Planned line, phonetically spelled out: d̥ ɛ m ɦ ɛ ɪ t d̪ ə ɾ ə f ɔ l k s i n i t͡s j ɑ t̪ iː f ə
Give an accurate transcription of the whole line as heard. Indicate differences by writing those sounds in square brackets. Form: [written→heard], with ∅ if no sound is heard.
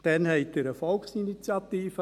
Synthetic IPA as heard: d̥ ɛ [m→n] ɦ ɛ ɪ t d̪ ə ɾ ə f ɔ l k s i n i t͡s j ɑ t̪ iː f ə